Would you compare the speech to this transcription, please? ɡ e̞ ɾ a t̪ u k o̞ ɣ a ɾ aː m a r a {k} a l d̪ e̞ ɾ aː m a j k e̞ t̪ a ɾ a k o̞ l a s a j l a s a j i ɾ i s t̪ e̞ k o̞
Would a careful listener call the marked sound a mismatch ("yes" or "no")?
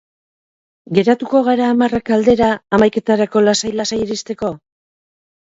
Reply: no